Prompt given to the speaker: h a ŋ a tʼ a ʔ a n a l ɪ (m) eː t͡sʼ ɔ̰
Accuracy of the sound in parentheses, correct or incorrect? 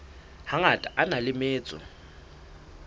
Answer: correct